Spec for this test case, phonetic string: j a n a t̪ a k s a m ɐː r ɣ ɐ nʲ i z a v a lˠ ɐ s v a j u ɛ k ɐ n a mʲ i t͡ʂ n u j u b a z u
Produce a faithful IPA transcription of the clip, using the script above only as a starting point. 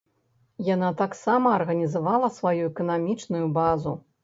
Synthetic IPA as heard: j a n a t̪ a k s a m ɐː r ɣ ɐ nʲ i z a v a lˠ ɐ s v a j u ɛ k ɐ n a mʲ i t͡ʂ n u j u b a z u